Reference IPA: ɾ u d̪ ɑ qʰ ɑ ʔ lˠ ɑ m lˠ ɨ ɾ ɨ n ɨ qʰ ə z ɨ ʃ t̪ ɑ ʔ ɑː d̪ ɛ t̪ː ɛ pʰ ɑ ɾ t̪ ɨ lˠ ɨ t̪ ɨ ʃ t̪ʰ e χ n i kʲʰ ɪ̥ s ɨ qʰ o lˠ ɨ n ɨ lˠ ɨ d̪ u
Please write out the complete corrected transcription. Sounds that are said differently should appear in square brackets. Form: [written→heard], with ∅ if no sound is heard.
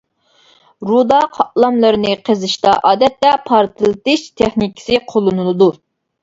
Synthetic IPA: ɾ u d̪ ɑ qʰ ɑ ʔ lˠ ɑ m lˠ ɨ ɾ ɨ n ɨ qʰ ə z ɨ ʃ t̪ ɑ ʔ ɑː d̪ ɛ t̪ː ɛ pʰ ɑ ɾ t̪ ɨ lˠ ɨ t̪ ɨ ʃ t̪ʰ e χ n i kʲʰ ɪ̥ s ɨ qʰ o lˠ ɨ n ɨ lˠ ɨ d̪ u